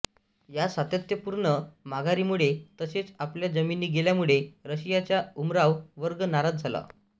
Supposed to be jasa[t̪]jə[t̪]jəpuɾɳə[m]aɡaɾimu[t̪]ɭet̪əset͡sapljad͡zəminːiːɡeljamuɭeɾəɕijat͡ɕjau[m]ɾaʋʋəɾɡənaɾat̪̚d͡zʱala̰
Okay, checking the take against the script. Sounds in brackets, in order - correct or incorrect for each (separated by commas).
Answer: correct, correct, correct, incorrect, correct